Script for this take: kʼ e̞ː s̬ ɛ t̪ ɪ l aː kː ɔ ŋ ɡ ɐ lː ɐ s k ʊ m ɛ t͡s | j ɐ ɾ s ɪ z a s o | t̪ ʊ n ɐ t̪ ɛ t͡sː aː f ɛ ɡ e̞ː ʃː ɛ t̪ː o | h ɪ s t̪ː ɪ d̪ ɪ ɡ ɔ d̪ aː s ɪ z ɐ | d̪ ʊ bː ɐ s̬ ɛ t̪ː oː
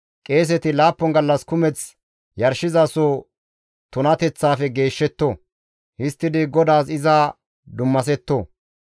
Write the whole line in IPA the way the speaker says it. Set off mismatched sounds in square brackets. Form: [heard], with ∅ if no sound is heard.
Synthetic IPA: kʼ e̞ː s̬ ɛ t̪ ɪ l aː [pː] ɔ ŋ ɡ ɐ lː ɐ s k ʊ m ɛ t͡s | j ɐ ɾ [ʃ] ɪ z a s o | t̪ ʊ n ɐ t̪ ɛ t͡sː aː f ɛ ɡ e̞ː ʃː ɛ t̪ː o | h ɪ s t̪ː ɪ d̪ ɪ ɡ ɔ d̪ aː s ɪ z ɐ | d̪ ʊ [mː] ɐ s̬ ɛ t̪ː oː